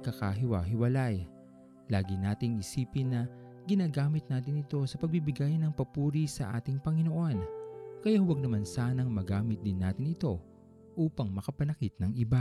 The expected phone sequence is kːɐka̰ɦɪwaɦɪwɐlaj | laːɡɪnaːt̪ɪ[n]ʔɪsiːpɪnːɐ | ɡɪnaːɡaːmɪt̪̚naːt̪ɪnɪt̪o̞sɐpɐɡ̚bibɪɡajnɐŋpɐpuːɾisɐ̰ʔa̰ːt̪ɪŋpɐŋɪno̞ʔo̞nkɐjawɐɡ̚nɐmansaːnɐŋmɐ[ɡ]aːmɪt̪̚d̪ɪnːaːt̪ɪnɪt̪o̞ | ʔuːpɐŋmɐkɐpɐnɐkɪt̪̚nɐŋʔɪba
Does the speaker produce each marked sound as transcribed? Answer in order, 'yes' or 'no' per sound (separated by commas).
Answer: no, yes